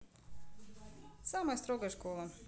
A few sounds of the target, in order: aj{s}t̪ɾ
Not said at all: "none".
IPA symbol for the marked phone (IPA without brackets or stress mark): s